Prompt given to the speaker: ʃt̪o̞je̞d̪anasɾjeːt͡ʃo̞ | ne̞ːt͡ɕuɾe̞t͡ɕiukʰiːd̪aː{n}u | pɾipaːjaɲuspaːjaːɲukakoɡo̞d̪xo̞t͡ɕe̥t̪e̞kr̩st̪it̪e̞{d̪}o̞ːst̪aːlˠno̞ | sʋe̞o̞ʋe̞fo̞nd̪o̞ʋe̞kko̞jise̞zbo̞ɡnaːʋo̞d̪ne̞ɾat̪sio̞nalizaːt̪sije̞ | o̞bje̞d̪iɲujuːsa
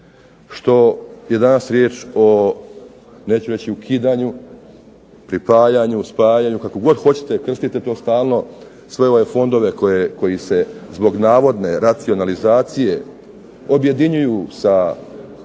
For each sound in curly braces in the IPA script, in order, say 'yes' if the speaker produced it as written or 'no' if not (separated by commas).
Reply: no, no